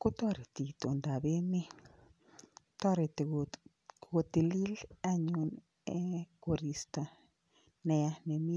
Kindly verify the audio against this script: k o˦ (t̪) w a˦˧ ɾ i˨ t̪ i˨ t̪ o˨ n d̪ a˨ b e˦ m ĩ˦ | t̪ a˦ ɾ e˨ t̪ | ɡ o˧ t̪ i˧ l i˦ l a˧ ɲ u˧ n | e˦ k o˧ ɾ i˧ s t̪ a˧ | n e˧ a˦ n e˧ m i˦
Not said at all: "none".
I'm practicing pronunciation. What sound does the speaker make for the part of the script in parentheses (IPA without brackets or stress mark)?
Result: t̪